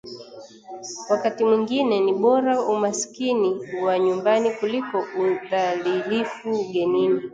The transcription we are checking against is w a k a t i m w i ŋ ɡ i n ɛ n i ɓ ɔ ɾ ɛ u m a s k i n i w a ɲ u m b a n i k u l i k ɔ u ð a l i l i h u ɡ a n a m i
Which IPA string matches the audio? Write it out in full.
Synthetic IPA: w a k a t i m w i ŋ ɡ i n ɛ n i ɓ ɔ ɾ a u m a s k i n i w a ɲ u m b a n i k u l i k ɔ u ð a l i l i f u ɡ ɛ n i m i